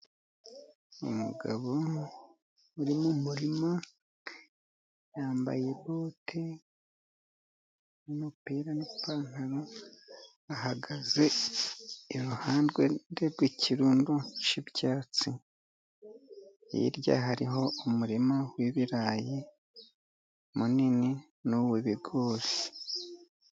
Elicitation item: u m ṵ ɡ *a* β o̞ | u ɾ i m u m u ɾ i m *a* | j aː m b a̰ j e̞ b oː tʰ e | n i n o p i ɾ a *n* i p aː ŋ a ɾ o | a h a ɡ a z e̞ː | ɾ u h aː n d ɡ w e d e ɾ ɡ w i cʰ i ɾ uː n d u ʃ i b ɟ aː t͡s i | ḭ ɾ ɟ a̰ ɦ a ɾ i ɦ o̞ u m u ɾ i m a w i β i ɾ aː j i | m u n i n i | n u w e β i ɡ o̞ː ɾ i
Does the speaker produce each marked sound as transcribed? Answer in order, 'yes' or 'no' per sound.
yes, yes, yes

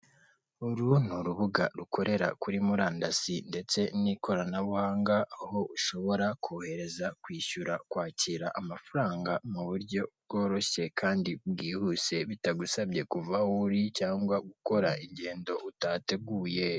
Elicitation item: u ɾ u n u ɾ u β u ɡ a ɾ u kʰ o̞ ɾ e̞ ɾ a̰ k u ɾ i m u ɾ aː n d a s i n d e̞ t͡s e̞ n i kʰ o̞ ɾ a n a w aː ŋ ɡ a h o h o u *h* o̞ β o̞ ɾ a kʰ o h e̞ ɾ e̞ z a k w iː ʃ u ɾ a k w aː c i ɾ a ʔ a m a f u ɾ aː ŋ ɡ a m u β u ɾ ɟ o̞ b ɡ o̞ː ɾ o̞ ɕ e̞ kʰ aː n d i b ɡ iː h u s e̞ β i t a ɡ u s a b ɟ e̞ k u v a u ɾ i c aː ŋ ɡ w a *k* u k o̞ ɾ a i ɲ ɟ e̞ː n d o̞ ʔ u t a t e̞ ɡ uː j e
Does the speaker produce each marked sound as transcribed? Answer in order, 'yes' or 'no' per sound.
no, no

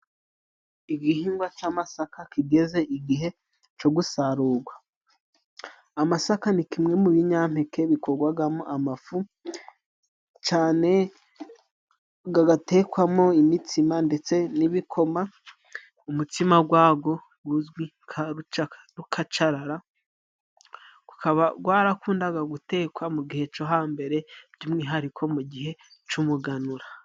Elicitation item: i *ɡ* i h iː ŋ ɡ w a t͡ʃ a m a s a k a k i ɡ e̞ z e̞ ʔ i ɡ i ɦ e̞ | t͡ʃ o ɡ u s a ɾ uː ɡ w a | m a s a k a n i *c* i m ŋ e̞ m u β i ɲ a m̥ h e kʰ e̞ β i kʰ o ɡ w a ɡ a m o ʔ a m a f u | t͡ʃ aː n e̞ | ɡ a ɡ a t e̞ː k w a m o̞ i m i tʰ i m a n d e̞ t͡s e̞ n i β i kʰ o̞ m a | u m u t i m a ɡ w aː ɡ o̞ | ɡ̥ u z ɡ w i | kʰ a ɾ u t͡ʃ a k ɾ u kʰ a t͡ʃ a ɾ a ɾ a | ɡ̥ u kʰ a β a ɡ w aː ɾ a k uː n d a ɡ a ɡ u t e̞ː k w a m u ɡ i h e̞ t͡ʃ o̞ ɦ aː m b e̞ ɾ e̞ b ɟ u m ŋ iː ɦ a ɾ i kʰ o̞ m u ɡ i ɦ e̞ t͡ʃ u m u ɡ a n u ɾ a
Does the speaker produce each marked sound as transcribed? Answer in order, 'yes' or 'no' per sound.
yes, no

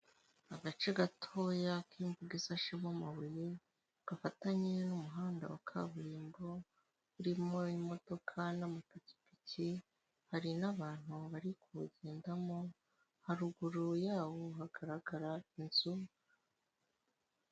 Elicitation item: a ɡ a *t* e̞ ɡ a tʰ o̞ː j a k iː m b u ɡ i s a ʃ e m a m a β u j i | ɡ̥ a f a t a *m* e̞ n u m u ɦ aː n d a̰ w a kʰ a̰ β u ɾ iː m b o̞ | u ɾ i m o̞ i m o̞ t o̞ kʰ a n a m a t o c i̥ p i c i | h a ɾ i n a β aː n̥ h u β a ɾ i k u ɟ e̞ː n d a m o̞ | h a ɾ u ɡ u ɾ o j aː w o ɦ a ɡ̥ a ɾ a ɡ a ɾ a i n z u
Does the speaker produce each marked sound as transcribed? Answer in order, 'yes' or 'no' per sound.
no, no

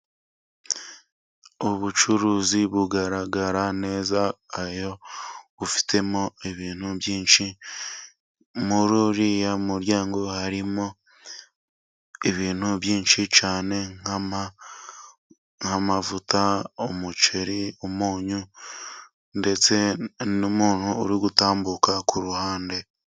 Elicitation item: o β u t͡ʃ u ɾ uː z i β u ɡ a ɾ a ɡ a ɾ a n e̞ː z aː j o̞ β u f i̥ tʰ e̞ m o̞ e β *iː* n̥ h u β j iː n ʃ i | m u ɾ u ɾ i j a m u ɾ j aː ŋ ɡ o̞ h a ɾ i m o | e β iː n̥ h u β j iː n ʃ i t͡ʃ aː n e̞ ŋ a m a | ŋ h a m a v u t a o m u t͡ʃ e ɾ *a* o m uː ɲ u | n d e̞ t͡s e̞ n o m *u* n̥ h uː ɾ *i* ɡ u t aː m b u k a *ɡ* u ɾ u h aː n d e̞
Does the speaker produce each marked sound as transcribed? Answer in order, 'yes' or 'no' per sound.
yes, no, no, yes, no

